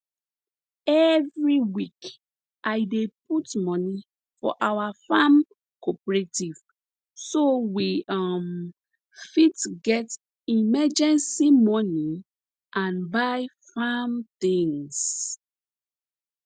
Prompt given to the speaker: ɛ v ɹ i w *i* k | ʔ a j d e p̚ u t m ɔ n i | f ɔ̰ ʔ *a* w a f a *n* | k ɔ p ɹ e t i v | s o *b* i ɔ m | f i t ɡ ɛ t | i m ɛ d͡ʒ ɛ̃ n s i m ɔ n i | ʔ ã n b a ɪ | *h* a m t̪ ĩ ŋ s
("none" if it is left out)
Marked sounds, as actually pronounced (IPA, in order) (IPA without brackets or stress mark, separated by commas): i, a, m, w, f